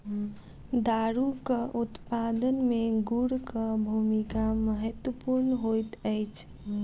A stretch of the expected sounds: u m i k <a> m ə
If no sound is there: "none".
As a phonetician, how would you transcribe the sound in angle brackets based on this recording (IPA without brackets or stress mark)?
a